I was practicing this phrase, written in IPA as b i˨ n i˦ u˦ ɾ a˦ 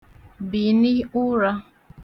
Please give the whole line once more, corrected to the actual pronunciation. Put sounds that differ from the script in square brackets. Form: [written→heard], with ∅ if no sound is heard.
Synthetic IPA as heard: b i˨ n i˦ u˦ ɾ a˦